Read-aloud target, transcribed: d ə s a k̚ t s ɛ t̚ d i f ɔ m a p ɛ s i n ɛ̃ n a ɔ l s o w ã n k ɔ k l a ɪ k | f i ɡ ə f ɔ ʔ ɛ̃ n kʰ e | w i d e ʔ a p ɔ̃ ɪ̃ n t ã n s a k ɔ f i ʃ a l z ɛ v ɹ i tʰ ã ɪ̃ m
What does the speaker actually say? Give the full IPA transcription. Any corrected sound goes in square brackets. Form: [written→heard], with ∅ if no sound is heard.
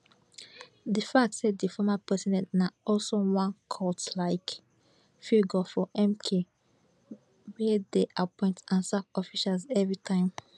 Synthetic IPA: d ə [s→f] a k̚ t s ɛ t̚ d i f ɔ m a p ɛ s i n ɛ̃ n a ɔ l s o w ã n [k→kʰ] ɔ [k→t] l a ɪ k | f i ɡ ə f ɔ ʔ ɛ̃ [n→m] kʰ e | w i d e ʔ a p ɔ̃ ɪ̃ n t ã n s a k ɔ f i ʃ a l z ɛ v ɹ i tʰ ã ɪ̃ m